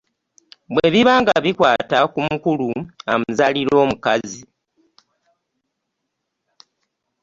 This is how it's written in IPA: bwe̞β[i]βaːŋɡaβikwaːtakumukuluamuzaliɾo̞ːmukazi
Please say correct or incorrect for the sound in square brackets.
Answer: correct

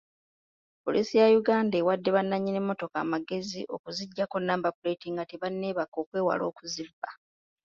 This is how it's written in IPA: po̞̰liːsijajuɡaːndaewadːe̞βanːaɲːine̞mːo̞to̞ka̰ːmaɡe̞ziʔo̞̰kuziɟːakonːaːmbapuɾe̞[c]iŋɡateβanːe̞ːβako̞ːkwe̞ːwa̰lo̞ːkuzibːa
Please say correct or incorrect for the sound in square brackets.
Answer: incorrect: t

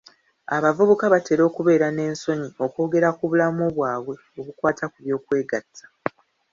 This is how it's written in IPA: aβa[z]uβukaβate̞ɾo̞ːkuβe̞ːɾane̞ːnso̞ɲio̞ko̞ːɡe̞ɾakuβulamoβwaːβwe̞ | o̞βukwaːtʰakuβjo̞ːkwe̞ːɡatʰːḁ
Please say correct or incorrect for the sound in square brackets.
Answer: incorrect: v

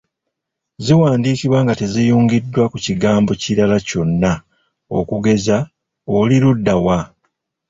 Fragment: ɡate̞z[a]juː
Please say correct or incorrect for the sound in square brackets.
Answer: incorrect: i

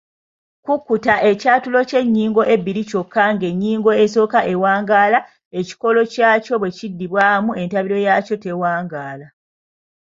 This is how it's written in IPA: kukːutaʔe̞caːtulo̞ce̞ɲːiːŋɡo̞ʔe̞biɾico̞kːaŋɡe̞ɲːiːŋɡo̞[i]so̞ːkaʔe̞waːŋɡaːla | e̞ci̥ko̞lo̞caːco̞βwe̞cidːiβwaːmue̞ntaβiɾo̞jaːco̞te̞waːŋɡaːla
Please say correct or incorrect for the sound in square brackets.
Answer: incorrect: e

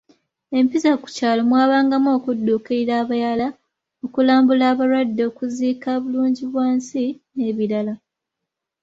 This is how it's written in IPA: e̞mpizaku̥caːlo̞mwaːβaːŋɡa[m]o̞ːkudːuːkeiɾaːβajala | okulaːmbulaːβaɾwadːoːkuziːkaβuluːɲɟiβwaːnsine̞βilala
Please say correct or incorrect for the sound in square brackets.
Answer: correct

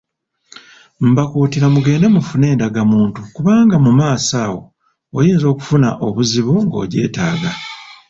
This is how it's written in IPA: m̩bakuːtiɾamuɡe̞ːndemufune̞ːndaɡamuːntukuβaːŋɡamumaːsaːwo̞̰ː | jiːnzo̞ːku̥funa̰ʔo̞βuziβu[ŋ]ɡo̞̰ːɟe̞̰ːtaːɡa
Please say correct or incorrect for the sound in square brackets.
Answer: correct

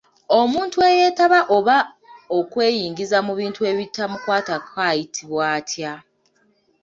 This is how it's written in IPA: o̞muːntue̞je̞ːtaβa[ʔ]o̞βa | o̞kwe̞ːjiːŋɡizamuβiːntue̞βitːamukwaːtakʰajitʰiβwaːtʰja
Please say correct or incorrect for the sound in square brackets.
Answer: correct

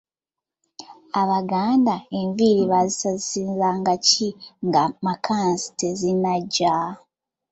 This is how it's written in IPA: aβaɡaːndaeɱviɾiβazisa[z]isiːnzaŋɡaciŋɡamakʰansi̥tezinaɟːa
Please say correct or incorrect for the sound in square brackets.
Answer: correct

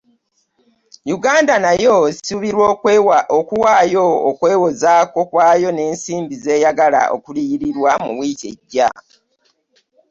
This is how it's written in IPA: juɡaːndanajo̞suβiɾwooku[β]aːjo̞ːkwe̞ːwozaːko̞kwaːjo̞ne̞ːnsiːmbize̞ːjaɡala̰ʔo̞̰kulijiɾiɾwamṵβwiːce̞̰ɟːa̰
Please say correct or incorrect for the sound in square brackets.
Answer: incorrect: w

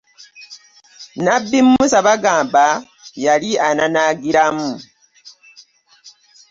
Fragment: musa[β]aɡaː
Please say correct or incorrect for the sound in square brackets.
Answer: correct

